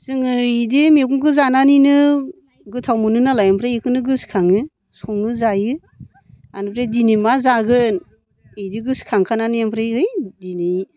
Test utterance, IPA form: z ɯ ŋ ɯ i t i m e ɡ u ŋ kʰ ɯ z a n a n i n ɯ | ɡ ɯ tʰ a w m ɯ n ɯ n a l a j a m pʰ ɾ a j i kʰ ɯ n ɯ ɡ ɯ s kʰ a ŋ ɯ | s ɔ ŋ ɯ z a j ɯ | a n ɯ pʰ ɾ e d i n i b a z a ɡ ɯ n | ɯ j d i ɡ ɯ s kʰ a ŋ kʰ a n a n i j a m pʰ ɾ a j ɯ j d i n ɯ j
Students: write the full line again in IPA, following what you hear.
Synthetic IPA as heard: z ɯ ŋ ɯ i d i m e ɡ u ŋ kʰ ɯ z a n a n i n ɯ | ɡ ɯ tʰ a w m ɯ n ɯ n a l a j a m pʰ ɾ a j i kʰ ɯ n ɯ ɡ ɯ s kʰ a ŋ ɯ | s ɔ ŋ ɯ z a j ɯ | a n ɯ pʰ ɾ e d i n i m a z a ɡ ɯ n | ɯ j d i ɡ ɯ s kʰ a ŋ kʰ a n a n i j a m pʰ ɾ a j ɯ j d i n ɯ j